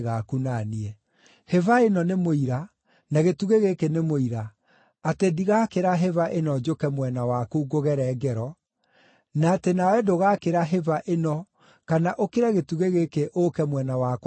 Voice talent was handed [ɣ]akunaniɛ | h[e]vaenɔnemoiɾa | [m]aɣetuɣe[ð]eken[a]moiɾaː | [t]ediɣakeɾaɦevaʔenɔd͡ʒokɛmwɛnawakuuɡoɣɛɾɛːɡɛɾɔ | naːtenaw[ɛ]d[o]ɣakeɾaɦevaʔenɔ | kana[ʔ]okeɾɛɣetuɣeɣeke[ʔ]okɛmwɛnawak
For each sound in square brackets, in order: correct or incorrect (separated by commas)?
correct, correct, incorrect, incorrect, incorrect, correct, correct, correct, correct, correct